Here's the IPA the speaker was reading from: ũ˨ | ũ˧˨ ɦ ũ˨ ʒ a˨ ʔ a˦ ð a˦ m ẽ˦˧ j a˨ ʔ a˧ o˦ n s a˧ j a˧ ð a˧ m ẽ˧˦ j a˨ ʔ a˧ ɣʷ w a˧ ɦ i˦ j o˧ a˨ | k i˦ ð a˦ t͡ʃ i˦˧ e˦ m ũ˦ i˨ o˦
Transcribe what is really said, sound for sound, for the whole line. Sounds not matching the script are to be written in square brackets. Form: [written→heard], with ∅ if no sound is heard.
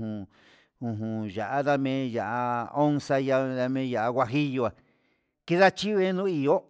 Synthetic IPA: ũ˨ | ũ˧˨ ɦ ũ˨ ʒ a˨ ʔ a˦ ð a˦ m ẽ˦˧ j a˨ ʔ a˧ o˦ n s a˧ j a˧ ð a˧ m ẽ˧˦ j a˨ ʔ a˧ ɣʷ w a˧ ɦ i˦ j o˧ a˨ | k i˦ ð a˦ t͡ʃ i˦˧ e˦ [m→n] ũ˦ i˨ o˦